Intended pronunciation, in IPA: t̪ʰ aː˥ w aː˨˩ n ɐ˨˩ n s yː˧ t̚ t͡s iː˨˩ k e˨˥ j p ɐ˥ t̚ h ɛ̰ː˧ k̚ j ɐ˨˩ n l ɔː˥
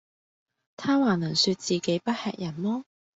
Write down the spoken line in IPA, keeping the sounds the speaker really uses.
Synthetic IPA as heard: t̪ʰ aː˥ w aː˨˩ n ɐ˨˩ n s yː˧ t̚ t͡s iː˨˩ k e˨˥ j p ɐ˥ t̚ h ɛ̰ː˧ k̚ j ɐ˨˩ n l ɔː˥